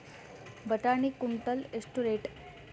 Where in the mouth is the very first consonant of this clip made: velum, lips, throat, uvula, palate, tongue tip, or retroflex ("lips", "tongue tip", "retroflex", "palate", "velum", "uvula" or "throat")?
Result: lips